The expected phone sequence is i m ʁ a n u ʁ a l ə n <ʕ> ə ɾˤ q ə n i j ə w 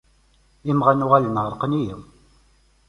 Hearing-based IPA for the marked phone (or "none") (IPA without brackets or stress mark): ʁ